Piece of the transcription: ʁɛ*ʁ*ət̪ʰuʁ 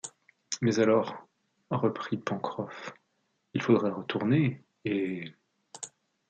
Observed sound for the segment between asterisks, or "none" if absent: ʁ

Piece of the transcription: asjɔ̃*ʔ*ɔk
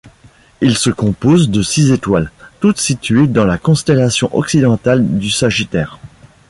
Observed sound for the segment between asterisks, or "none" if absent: ʔ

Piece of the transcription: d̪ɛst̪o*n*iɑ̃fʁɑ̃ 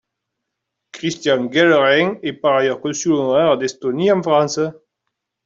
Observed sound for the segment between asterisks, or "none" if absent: n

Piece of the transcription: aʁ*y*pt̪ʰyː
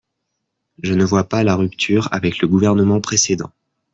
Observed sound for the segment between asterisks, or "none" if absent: y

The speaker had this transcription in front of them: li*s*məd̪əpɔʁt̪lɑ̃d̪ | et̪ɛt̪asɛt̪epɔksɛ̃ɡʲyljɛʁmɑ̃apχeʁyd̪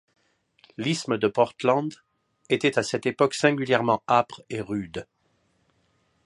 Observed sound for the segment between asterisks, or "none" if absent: s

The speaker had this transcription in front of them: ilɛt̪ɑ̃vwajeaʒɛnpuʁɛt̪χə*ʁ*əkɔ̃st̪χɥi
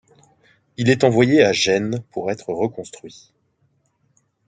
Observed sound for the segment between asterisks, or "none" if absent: ʁ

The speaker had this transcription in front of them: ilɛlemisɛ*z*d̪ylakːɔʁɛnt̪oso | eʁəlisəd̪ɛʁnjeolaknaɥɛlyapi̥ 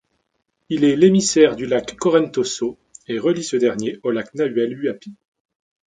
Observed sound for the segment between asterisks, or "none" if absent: ʁ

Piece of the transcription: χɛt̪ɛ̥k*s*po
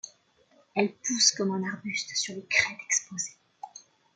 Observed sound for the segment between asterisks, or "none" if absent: s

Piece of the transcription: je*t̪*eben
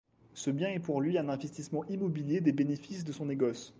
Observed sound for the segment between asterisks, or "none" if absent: d̪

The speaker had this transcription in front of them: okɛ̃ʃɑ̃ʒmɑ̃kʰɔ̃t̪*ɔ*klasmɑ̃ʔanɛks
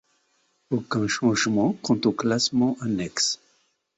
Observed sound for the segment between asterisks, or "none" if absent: o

